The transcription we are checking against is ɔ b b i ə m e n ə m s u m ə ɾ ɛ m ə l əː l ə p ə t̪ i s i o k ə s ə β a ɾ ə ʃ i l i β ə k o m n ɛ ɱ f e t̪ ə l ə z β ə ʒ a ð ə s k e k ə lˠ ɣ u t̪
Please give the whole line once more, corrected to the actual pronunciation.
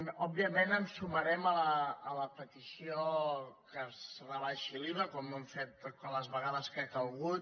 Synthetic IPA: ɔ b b i ə m e n ə m s u m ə ɾ ɛ m ə l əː l ə p ə t̪ i s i o k ə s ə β a l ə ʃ i l i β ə k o m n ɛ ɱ f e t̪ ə l ə z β ə ɣ a ð ə s k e k ə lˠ ɣ u t̪